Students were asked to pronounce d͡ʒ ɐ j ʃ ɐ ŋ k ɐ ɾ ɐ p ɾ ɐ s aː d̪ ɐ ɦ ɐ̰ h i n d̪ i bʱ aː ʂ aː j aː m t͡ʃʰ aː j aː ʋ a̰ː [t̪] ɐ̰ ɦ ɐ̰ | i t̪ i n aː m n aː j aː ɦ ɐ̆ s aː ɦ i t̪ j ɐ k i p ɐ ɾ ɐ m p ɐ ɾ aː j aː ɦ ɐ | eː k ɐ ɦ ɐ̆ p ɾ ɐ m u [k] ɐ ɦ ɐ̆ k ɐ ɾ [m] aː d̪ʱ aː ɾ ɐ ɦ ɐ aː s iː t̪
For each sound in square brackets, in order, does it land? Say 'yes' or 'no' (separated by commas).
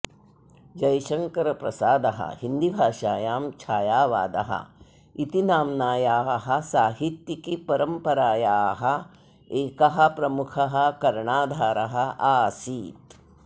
no, no, no